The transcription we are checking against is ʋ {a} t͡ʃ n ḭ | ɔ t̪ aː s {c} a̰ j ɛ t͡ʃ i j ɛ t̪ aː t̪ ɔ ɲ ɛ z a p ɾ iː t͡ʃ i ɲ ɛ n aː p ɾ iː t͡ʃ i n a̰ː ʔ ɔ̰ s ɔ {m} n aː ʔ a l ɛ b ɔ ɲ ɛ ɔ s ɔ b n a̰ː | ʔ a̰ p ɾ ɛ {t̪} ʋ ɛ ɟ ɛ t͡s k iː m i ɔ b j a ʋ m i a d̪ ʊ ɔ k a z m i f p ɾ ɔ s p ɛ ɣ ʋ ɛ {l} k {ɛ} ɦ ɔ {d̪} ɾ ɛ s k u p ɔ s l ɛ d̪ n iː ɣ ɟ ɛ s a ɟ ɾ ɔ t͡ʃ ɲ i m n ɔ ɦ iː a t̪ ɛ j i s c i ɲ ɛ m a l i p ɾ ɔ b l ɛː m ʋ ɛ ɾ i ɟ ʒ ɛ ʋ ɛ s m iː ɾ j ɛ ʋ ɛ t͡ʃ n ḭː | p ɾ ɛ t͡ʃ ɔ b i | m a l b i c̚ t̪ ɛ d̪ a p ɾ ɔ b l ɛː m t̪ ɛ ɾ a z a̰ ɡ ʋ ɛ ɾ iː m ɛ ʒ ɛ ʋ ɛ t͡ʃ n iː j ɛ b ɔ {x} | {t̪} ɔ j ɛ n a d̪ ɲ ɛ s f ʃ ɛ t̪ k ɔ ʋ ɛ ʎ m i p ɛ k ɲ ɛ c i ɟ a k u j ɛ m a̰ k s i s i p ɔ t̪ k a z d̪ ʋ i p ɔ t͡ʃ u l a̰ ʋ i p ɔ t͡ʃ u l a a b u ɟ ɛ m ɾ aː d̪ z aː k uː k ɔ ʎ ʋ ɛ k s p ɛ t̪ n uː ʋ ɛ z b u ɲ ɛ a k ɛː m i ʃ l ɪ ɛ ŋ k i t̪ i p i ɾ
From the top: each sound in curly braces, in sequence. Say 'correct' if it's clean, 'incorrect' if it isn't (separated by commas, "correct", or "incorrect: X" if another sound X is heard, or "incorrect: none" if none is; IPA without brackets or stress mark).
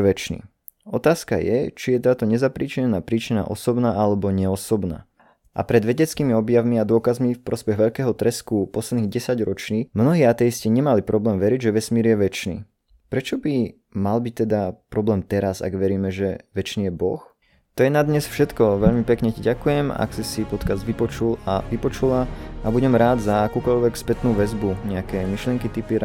incorrect: ɛ, incorrect: k, incorrect: b, incorrect: d̪, incorrect: ʎ, incorrect: ɛː, incorrect: t̪, correct, correct